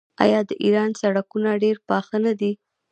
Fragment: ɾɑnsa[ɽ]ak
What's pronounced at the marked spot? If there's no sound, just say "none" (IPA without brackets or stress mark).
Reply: ɽ